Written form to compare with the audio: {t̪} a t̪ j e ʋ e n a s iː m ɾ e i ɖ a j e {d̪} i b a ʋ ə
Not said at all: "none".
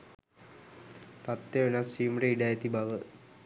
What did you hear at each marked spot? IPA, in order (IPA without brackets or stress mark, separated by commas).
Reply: t̪, t̪